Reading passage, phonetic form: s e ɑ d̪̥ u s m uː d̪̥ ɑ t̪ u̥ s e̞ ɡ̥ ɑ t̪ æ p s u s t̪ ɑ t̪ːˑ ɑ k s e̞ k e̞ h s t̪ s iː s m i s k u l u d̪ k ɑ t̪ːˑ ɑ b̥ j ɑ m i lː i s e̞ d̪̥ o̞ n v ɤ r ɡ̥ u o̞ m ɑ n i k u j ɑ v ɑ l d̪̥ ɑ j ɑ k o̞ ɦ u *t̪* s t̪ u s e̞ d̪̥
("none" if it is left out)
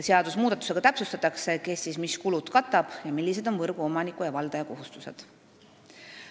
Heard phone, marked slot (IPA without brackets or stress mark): none